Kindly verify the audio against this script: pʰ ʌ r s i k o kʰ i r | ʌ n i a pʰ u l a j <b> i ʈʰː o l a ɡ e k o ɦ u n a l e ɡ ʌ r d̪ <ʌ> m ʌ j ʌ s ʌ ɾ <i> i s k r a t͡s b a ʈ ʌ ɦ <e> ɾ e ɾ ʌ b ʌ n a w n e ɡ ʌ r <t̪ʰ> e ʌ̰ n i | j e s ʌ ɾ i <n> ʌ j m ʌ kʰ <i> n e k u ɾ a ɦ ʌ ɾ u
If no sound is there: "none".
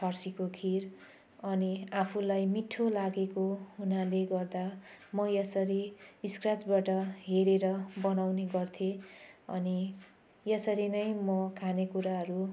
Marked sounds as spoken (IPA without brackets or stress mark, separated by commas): m, a, i, e, t̪ʰ, n, a